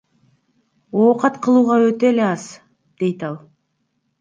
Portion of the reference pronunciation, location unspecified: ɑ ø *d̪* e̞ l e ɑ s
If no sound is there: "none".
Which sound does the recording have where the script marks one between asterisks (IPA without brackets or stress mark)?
t̪